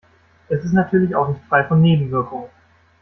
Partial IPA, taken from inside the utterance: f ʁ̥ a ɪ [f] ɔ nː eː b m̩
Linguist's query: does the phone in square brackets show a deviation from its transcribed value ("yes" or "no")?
no